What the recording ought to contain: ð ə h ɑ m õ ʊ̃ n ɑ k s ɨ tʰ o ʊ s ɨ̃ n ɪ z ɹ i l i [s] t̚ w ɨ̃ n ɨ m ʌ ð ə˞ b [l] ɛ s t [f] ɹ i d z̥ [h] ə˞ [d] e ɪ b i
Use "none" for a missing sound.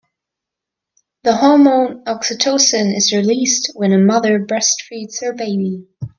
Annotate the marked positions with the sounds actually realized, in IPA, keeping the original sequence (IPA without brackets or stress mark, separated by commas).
s, ɹ, f, h, b